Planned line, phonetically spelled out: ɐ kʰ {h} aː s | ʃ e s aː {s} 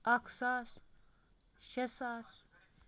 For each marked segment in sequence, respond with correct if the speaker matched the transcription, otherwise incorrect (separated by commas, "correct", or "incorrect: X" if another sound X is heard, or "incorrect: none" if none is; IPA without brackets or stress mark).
incorrect: s, correct